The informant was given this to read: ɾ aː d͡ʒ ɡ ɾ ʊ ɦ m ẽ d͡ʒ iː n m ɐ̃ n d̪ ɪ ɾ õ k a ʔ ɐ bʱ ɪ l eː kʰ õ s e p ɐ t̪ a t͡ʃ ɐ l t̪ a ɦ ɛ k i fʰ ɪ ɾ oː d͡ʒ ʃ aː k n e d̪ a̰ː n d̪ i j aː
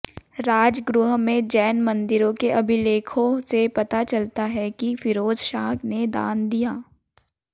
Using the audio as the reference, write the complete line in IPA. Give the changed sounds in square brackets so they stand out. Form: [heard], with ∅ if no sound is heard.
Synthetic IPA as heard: ɾ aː d͡ʒ ɡ ɾ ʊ ɦ m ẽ d͡ʒ [ɛː] n m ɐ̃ n d̪ ɪ ɾ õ k [e] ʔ ɐ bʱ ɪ l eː kʰ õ s e p ɐ t̪ a t͡ʃ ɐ l t̪ a ɦ ɛ k i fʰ ɪ ɾ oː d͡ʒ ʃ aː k n e d̪ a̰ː n d̪ i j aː